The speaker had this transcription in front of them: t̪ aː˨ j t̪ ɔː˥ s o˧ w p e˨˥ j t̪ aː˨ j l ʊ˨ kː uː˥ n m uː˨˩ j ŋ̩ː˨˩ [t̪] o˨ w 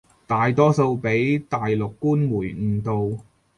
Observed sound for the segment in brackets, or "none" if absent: t̪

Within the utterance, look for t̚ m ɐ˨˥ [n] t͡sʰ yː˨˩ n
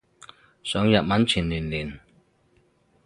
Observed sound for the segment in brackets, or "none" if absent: n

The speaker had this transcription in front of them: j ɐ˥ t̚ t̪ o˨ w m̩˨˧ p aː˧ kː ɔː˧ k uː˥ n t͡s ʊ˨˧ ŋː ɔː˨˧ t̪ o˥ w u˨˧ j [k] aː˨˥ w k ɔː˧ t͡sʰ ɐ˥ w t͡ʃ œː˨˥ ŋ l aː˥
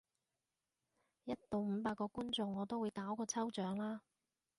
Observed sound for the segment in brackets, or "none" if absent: k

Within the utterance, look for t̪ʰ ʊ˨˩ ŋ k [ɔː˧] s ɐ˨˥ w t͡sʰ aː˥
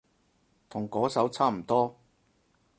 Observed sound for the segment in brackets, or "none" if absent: ɔː˨˥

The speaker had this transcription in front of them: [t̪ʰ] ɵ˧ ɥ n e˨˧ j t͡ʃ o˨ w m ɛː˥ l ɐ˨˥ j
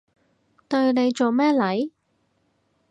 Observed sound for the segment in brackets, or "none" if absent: t̪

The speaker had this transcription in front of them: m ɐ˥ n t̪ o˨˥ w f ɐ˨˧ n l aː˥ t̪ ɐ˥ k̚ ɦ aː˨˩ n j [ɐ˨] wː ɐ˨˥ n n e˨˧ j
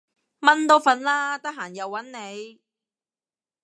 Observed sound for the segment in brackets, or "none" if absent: ɐ˨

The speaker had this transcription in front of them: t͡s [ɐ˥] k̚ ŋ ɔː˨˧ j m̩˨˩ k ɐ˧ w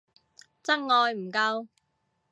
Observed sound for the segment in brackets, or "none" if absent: ɐ˥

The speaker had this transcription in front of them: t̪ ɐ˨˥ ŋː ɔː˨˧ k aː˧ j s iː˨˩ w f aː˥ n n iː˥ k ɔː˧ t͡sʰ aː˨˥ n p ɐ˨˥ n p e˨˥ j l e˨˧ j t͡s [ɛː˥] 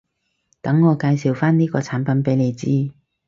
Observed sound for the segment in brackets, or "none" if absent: iː˥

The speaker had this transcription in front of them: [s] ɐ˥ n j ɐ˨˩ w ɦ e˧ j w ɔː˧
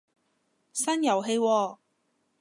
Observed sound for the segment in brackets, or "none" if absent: s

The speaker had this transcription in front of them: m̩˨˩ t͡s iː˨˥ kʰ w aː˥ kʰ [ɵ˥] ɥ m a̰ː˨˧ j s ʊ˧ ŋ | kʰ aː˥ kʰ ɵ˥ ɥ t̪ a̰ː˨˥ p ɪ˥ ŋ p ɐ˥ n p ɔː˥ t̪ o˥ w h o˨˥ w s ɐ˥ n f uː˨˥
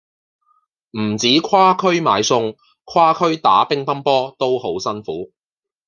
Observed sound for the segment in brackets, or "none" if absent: ɵ˥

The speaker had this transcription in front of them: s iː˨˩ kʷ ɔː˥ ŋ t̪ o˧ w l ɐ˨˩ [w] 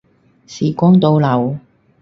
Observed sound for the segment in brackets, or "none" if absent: w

